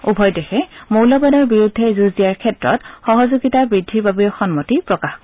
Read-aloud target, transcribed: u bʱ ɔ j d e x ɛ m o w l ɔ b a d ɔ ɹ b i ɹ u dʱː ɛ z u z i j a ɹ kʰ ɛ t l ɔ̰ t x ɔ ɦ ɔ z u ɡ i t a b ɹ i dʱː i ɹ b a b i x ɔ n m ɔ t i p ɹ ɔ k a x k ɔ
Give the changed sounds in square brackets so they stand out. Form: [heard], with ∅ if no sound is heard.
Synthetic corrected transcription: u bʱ ɔ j d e x ɛ m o w l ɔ b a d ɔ ɹ b i ɹ u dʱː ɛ z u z i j a ɹ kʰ ɛ t [ɹ] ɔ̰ t x ɔ ɦ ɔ z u ɡ i t a b ɹ i dʱː i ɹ b a b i x ɔ n m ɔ t i p ɹ ɔ k a x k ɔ

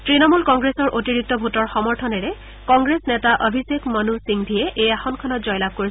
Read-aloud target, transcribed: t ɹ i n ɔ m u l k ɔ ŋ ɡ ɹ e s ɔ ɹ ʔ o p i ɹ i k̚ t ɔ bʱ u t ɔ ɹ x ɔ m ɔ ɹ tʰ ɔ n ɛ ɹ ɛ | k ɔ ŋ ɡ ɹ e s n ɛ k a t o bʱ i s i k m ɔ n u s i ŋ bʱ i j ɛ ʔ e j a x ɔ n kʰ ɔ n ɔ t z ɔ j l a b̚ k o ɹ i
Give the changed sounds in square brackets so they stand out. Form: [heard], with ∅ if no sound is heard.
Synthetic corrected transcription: t ɹ i n ɔ m u l k ɔ ŋ ɡ ɹ e s ɔ ɹ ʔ o [t] i ɹ i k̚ t ɔ bʱ u t ɔ ɹ x ɔ m ɔ ɹ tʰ ɔ n ɛ ɹ ɛ | k ɔ ŋ ɡ ɹ e s n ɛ [t] a [ʔ] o bʱ i s [e] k m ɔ n u s i ŋ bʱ i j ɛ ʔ e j a x ɔ n kʰ ɔ n ɔ t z ɔ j l a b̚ k o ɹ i

